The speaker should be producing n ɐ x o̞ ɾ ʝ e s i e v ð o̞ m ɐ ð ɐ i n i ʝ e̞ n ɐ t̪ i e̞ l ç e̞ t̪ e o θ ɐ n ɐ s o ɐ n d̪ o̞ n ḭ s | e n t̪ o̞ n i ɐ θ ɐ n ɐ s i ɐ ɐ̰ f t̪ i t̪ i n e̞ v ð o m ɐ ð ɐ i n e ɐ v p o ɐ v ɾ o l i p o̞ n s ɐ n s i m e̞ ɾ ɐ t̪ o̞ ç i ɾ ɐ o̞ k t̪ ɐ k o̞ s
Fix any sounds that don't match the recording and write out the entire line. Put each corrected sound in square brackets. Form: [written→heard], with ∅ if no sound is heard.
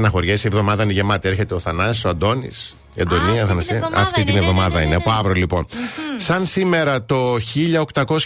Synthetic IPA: n ɐ x o̞ ɾ ʝ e s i e v ð o̞ m ɐ ð ɐ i n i ʝ e̞ [n→m] ɐ t̪ i e̞ [l→ɾ] ç e̞ t̪ e o θ ɐ n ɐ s o ɐ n d̪ o̞ n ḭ s | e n [t̪→d̪] o̞ n i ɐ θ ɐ n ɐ s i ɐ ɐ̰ f t̪ i t̪ i n e̞ v ð o m ɐ ð ɐ i n e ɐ [v→∅] p o ɐ v ɾ o l i p o̞ n s ɐ n s i m e̞ ɾ ɐ t̪ o̞ ç i [ɾ→ʎ] ɐ o̞ k t̪ ɐ k o̞ s